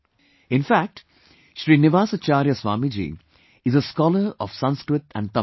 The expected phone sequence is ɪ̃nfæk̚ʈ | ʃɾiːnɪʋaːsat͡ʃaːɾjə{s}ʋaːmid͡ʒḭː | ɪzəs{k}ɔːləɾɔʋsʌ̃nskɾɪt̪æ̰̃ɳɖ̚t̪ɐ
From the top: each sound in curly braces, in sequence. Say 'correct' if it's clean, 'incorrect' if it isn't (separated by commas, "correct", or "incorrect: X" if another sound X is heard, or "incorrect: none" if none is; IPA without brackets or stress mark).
correct, correct